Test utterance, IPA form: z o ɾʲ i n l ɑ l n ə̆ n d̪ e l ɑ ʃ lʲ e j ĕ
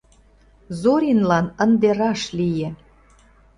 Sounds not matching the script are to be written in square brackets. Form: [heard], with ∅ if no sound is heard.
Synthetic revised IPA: z o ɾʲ i n l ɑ [∅] n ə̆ n d̪ e [ɾ] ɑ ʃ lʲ [i] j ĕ

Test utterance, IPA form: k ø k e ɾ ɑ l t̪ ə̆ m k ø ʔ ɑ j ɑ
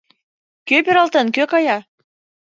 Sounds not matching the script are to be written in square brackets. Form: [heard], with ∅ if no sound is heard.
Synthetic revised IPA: k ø [p] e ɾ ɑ l t̪ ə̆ [n] k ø [k] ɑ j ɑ

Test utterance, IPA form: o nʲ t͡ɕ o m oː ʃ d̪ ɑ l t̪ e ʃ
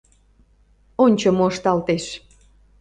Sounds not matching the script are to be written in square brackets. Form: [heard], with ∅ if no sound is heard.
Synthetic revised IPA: o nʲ t͡ɕ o m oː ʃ [t̪] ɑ l t̪ e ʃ

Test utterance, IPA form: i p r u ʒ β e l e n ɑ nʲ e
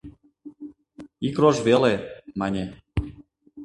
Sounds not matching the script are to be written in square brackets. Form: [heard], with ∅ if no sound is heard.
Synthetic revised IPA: i [k] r [o] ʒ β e l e [m] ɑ nʲ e

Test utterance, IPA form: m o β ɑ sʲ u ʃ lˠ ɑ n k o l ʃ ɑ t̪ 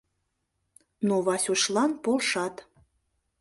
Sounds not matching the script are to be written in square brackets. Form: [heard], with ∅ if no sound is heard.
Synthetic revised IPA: [n] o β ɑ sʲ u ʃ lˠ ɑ n [p] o l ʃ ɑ t̪

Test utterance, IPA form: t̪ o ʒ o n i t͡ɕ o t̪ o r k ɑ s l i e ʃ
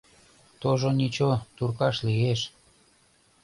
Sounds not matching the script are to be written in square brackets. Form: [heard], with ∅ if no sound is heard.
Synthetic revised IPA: t̪ o ʒ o n i t͡ɕ o t̪ [u] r k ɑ [ʃ] l i e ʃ

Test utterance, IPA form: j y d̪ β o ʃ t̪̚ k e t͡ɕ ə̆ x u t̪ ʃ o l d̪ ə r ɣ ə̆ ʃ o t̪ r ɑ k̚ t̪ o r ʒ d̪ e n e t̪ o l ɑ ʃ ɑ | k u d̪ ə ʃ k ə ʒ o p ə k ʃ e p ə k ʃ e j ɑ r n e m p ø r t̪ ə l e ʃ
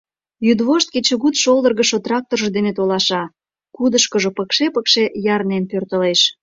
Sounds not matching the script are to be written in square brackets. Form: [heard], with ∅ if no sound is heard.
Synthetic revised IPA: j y d̪ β o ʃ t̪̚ k e t͡ɕ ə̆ [ɣ] u t̪ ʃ o l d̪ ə r ɣ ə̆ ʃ o t̪ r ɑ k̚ t̪ o r ʒ d̪ e n e t̪ o l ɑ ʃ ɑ | k u d̪ ə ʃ k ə ʒ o p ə k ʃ e p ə k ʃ e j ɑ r n e [n] p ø r t̪ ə l e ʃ

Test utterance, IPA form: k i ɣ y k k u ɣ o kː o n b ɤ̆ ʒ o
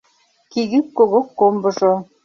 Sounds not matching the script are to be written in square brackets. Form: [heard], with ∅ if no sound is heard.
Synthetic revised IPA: k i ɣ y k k [o] ɣ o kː o [m] b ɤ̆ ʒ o

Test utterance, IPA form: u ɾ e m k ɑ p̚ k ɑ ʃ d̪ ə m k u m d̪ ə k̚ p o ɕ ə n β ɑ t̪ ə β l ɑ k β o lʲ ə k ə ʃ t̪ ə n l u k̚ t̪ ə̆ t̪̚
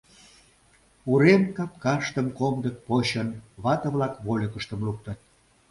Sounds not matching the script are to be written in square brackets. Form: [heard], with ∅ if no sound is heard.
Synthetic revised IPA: u ɾ e m k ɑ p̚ k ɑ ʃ [t̪] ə m k [o] m d̪ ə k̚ p o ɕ ə n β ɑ t̪ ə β l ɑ k β o lʲ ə k ə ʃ t̪ ə [m] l u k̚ t̪ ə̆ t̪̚

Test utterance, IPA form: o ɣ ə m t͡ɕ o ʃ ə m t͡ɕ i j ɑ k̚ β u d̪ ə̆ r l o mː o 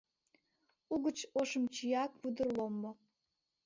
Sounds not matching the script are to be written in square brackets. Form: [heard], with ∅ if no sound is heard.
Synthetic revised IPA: [u] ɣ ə [∅] t͡ɕ o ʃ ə m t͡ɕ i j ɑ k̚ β u d̪ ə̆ r l o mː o

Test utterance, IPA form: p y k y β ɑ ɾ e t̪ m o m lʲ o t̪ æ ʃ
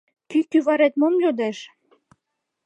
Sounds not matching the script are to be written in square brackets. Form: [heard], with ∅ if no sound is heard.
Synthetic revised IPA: [k] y k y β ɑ ɾ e t̪ m o m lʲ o [d̪] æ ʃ

